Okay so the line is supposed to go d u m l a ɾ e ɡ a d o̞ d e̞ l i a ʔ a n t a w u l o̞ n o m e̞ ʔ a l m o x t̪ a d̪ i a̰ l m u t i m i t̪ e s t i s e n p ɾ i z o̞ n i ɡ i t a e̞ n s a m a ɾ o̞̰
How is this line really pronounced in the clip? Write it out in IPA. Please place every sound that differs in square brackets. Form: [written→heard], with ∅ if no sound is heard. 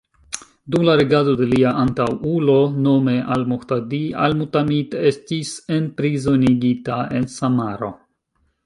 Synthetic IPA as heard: d u m l a ɾ e ɡ a d o̞ d e̞ l i a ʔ a n t a w u l o̞ n o m e̞ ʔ a l m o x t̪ a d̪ i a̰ l m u t [i→a] m i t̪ e s t i s e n p ɾ i z o̞ n i ɡ i t a e̞ n s a m a ɾ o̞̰